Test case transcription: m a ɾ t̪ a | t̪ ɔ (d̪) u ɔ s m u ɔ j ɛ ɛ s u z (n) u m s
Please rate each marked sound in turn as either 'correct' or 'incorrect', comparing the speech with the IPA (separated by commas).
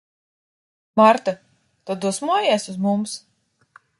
correct, incorrect